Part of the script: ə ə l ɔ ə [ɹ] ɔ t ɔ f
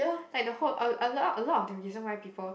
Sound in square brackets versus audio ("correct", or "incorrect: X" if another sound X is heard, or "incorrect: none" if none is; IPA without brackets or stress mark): incorrect: l